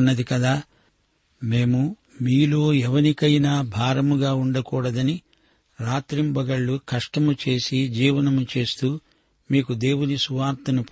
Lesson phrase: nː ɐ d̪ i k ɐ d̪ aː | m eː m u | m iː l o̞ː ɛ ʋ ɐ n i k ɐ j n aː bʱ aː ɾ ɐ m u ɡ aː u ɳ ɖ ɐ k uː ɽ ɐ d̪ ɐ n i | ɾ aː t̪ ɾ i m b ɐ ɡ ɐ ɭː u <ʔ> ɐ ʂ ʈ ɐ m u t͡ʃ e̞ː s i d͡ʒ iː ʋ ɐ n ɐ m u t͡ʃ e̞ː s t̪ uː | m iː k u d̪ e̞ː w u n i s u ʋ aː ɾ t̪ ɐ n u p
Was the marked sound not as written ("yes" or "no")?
yes